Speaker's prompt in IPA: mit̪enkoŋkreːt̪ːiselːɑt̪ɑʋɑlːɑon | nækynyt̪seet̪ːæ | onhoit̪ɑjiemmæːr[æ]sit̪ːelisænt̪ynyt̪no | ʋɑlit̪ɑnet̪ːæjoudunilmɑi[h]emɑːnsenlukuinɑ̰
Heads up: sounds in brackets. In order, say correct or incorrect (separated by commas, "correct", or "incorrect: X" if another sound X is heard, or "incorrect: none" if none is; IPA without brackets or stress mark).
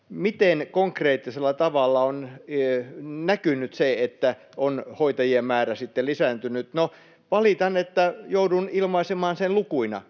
correct, incorrect: s